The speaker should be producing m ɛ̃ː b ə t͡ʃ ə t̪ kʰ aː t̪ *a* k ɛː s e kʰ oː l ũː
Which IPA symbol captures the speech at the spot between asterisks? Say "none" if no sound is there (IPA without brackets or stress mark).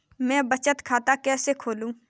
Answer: a